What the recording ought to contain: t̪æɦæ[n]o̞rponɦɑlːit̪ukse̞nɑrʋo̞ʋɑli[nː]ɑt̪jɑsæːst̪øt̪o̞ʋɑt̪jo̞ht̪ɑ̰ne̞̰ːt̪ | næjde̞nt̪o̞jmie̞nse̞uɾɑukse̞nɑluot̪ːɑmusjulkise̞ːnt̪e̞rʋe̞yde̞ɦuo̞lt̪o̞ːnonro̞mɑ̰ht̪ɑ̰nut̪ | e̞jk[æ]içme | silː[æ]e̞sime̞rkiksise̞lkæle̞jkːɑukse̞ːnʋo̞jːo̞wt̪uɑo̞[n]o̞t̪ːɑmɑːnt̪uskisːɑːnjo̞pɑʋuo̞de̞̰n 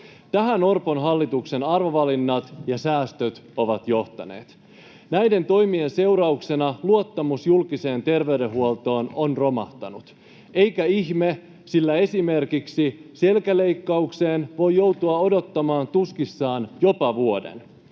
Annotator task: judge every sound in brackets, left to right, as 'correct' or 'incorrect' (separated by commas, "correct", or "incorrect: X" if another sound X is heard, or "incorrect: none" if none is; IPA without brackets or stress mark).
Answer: correct, correct, correct, correct, incorrect: d